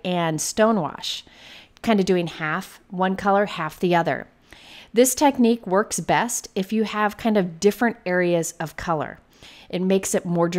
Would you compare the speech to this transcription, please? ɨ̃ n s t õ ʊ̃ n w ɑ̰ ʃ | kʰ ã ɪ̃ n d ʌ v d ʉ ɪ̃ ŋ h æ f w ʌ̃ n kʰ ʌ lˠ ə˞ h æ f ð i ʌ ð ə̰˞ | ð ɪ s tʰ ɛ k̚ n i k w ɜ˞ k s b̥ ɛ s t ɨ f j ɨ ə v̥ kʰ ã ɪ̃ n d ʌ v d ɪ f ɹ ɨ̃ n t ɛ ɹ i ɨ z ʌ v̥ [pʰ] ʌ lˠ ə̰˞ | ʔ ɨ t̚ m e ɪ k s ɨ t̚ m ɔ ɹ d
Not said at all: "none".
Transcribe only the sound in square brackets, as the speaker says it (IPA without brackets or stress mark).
kʰ